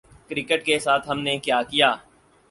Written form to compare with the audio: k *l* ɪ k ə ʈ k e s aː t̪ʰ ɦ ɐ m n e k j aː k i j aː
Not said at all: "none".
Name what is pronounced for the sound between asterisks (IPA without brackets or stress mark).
ɾ